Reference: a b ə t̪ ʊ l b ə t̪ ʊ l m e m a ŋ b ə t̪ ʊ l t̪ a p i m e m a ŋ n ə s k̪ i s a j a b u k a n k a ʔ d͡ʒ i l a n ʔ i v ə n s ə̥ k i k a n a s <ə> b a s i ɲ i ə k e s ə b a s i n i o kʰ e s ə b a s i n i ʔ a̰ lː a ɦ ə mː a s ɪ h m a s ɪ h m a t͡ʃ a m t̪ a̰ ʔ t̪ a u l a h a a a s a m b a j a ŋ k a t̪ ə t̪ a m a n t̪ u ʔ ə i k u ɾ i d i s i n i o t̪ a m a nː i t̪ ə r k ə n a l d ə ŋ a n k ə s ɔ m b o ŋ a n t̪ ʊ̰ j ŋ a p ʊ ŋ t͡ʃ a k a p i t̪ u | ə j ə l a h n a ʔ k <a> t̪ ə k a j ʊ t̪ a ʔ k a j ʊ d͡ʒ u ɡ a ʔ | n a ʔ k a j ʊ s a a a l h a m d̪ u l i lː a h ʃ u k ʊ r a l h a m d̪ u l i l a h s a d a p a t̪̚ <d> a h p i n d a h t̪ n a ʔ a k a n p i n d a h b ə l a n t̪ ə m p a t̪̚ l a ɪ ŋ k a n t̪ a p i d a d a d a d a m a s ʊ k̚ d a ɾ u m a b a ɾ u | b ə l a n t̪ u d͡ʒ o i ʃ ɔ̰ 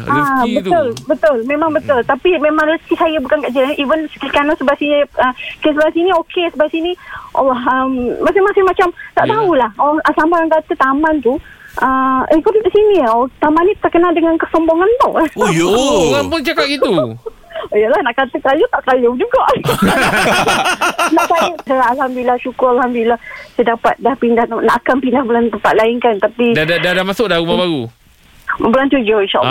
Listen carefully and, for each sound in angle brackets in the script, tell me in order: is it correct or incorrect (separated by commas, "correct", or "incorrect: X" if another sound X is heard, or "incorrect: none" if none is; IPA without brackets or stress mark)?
correct, correct, correct